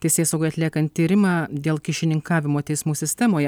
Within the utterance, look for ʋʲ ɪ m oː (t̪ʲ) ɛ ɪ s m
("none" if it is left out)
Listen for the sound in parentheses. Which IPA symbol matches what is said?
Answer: t̪ʲ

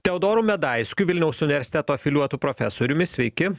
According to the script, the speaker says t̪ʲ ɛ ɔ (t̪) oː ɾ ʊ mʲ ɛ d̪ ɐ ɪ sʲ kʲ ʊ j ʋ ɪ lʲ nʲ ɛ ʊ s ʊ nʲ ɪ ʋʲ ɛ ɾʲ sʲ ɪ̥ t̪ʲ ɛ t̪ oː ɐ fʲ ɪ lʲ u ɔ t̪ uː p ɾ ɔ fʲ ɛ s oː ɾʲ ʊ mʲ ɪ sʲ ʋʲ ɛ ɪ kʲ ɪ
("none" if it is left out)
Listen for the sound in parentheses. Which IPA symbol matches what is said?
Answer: d̪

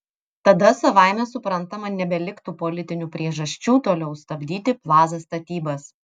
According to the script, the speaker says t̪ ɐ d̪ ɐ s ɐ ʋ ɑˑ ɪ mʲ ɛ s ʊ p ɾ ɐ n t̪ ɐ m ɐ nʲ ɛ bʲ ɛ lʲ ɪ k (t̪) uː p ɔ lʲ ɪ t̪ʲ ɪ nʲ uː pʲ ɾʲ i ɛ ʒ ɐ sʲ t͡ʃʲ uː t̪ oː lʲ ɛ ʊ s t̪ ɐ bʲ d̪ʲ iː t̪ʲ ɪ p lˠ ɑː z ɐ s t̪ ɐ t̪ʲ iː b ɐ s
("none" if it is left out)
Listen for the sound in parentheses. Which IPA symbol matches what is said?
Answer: t̪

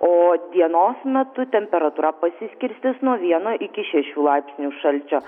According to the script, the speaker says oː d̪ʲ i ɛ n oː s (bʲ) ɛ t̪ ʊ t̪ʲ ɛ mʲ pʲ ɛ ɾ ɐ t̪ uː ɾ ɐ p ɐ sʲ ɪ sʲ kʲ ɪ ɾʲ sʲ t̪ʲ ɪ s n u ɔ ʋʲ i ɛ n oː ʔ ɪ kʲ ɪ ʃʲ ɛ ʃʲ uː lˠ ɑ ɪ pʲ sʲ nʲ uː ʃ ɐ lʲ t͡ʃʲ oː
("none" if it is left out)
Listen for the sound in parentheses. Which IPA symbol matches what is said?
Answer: mʲ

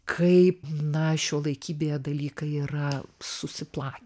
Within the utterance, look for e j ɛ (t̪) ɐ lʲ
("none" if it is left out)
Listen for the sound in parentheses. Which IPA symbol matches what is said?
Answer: d̪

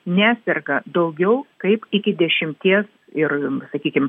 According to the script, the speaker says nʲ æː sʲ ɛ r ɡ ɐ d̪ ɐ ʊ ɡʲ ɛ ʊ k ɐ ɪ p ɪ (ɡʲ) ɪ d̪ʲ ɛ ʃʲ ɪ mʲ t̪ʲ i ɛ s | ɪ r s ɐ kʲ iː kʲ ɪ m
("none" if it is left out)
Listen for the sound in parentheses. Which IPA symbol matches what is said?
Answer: kʲ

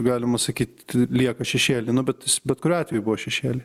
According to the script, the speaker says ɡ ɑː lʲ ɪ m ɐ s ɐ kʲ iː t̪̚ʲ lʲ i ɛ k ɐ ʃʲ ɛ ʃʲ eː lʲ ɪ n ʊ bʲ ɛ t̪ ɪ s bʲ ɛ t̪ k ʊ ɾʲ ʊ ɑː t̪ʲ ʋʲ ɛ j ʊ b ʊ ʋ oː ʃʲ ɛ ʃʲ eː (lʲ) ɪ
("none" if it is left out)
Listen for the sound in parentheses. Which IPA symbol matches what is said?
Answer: lʲ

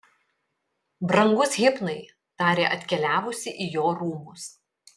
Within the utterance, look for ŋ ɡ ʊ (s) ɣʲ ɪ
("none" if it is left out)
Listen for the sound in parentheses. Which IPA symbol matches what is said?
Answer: s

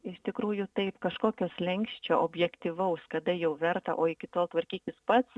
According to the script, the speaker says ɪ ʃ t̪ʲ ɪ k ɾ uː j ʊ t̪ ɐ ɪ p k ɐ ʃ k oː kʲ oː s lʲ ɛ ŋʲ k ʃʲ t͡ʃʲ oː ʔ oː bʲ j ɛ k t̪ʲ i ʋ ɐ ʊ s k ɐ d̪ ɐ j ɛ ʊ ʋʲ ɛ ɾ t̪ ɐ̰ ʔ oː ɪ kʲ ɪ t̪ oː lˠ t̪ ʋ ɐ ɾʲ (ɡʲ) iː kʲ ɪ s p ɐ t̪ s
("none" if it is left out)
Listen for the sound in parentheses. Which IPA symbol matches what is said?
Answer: kʲ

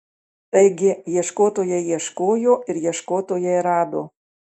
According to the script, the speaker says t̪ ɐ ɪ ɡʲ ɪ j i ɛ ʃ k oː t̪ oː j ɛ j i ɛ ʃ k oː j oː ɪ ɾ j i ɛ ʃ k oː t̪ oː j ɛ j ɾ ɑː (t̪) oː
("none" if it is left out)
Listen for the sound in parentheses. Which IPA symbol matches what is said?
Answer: d̪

